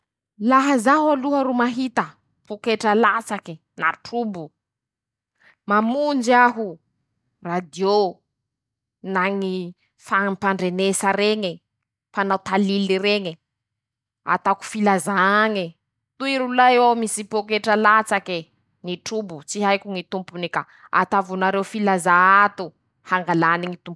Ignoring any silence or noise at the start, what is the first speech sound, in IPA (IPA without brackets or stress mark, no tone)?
l